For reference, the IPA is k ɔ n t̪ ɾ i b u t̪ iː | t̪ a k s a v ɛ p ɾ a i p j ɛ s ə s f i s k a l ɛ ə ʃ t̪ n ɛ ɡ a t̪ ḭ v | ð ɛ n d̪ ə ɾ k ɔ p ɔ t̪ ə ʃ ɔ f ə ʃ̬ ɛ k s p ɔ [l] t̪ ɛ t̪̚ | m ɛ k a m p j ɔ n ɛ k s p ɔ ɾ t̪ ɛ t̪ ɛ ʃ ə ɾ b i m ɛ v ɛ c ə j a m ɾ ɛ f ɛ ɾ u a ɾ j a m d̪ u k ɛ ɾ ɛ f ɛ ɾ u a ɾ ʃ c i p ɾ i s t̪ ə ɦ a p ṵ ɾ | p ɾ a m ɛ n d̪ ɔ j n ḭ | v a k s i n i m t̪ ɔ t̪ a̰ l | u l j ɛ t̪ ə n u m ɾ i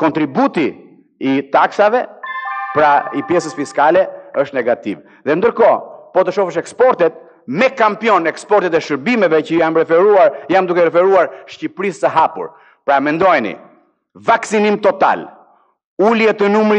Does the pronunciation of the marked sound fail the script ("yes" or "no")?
yes